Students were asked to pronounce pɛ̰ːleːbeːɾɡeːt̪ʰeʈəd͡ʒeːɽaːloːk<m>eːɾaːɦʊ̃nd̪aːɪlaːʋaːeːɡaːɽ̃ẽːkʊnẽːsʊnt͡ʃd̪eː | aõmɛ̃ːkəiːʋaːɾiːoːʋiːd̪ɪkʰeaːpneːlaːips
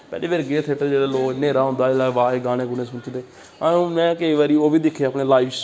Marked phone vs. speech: incorrect: n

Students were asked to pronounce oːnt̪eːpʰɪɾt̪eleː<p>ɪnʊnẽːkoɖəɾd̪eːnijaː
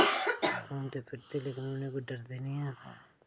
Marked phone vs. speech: incorrect: k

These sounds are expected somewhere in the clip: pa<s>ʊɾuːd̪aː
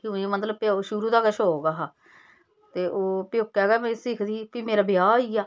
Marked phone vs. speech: incorrect: ʃ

